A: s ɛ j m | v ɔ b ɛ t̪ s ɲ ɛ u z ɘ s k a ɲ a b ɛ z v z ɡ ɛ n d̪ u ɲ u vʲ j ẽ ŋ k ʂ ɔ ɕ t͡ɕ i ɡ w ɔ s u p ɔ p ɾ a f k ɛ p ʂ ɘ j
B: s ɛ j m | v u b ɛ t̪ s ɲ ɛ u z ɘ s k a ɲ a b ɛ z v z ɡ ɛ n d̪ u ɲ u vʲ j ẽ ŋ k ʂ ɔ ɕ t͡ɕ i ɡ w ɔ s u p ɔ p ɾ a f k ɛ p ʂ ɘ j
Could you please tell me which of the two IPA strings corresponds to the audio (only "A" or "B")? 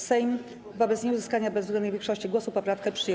A